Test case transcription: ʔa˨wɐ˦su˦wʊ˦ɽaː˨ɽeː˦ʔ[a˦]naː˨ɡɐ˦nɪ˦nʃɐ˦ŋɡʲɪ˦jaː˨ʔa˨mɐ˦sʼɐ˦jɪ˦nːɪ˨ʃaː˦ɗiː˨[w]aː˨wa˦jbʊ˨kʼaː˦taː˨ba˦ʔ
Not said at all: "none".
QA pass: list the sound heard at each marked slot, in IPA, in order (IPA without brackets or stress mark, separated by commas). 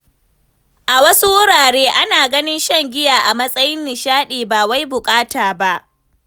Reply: a˦, b